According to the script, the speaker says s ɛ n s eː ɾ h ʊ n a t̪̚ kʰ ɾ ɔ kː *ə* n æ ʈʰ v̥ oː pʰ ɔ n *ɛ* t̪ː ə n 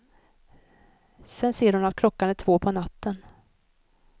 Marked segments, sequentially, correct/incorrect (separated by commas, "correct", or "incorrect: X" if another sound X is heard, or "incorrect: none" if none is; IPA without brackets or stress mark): incorrect: a, incorrect: a